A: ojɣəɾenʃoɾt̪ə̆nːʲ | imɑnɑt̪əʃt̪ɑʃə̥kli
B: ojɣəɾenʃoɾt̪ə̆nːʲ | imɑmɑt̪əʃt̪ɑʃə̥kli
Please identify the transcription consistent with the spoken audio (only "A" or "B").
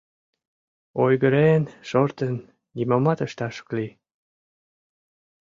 B